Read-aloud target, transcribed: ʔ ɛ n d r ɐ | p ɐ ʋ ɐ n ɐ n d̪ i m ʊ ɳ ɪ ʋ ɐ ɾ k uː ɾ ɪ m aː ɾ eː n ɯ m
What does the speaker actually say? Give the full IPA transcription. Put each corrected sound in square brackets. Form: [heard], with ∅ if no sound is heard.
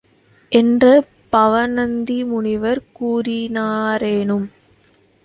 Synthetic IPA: ʔ ɛ n d r ɐ | p ɐ ʋ ɐ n ɐ n d̪ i m ʊ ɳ ɪ ʋ ɐ ɾ k uː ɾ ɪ [n] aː ɾ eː n ɯ m